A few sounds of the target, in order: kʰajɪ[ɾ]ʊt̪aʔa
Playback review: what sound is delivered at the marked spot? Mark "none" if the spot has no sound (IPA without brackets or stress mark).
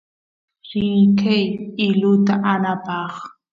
l